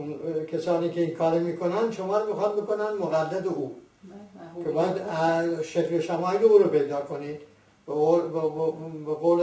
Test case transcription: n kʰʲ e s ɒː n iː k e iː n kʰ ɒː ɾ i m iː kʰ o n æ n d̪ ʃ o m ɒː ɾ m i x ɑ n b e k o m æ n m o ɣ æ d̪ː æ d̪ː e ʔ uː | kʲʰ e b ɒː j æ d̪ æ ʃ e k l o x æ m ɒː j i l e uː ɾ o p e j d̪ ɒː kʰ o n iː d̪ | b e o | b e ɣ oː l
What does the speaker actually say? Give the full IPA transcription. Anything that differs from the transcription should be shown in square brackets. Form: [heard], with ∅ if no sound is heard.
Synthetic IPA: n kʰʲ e s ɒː n iː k e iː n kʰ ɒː ɾ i m iː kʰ o n æ n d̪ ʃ o m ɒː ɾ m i x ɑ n b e k o [n] æ n m o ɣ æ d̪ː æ [d̪] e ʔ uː | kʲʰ e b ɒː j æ d̪ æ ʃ e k l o [ʃ] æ m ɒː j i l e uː ɾ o p e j d̪ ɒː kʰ o n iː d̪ | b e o | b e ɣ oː l